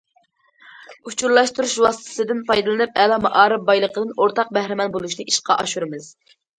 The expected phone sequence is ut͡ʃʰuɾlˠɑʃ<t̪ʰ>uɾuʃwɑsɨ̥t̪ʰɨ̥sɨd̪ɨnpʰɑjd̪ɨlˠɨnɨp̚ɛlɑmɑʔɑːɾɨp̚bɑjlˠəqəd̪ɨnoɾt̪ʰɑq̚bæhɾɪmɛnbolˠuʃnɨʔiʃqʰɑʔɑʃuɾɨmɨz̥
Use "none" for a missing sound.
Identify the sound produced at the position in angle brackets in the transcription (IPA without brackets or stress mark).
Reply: t̪